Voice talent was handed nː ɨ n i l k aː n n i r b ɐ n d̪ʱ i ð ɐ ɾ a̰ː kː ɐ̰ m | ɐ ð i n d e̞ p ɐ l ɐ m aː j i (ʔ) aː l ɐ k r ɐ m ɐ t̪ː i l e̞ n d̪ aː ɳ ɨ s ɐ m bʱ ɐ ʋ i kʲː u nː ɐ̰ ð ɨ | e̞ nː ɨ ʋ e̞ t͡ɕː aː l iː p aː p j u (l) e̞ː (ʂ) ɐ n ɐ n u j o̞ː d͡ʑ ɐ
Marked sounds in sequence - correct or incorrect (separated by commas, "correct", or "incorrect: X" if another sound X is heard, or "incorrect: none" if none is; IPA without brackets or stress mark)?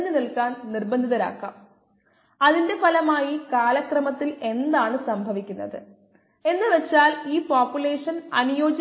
incorrect: k, correct, correct